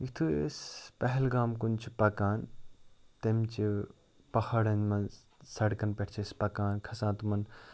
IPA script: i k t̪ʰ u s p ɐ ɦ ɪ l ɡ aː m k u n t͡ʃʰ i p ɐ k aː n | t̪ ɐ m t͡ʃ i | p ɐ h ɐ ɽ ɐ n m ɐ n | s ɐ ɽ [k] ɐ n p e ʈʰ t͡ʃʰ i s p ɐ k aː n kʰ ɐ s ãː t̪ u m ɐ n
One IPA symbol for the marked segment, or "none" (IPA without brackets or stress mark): k